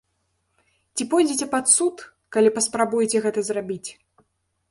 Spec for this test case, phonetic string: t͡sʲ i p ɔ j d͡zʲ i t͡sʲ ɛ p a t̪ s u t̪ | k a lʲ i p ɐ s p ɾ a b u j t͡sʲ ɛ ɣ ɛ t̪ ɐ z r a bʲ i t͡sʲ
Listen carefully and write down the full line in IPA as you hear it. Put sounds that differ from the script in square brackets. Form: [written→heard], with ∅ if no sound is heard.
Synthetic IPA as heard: t͡sʲ i p ɔ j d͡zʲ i t͡sʲ ɛ p a t̪ s u t̪ | k a lʲ i p ɐ s p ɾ a b u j t͡sʲ ɛ ɣ ɛ t̪ ɐ z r a bʲ i t͡sʲ